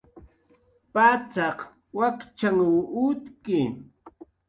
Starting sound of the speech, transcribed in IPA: p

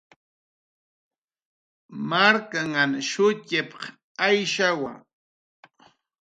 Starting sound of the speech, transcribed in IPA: m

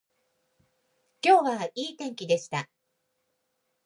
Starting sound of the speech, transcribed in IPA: kʲ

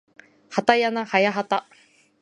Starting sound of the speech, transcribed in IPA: h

